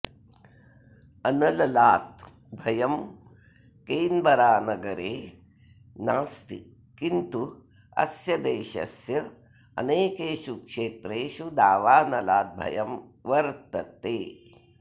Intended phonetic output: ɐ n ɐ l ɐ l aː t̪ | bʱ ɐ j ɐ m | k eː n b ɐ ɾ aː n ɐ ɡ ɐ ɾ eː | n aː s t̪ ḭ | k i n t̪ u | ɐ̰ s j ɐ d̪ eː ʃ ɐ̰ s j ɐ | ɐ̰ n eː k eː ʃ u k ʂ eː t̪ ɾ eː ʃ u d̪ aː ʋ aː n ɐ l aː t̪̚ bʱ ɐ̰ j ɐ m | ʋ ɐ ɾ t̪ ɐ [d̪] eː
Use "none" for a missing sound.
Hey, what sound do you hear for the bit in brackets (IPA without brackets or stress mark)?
t̪